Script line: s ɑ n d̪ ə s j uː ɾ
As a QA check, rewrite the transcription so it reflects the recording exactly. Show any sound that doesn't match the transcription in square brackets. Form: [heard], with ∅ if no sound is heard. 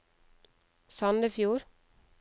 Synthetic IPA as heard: s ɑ n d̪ ə [f] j uː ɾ